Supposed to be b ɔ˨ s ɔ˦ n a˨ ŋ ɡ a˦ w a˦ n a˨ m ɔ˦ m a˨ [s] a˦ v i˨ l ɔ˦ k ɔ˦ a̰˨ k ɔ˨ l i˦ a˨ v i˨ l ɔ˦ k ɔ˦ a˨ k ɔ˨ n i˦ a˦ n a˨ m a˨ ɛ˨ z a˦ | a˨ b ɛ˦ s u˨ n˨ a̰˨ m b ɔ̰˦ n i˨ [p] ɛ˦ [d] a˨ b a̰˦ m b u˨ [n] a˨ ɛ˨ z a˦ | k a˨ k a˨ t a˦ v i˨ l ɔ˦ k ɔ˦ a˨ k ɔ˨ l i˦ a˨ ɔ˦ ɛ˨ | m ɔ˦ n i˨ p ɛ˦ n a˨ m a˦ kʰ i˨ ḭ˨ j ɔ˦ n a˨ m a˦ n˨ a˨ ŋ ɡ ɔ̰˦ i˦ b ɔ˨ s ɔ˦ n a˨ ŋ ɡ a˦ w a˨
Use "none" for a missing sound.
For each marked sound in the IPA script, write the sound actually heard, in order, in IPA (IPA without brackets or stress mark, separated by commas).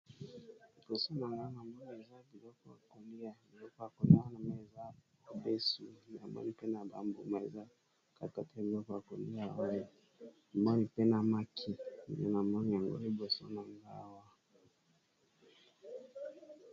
z, p, n, m